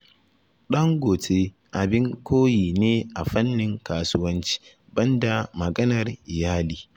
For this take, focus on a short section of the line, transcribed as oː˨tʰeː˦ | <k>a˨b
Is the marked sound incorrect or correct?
incorrect: ʔ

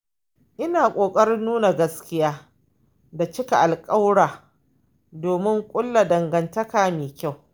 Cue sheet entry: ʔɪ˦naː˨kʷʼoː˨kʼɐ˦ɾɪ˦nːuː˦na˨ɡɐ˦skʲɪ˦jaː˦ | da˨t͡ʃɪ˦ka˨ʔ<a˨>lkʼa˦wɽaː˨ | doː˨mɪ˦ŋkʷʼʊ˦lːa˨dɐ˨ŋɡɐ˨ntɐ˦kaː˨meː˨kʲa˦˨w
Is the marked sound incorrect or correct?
correct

